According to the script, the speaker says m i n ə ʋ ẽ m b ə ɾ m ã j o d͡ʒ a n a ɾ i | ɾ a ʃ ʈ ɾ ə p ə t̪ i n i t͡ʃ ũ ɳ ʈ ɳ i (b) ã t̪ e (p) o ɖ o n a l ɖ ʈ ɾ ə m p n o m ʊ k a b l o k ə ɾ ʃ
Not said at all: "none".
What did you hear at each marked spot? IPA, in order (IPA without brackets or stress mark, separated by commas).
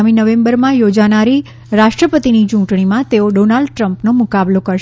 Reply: m, none